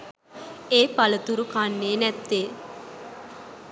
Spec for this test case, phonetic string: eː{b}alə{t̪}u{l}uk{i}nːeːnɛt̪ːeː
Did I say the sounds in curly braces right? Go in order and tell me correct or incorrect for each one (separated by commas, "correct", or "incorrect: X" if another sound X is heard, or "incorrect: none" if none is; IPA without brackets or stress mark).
incorrect: p, correct, incorrect: ɾ, incorrect: a